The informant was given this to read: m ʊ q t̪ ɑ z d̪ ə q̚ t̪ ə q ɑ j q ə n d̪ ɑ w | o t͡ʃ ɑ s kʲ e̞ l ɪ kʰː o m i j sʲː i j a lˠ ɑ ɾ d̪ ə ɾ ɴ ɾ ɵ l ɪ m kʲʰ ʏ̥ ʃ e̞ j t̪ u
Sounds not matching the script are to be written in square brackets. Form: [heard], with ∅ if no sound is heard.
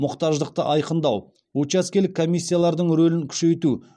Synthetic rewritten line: m ʊ q t̪ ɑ [ʒ] d̪ ə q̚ t̪ ə [ʔ] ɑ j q ə n d̪ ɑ w | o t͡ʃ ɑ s kʲ e̞ l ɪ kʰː o m i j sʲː i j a lˠ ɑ ɾ d̪ ə [∅] ɴ ɾ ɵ l ɪ [ŋ] kʲʰ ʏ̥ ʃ e̞ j t̪ u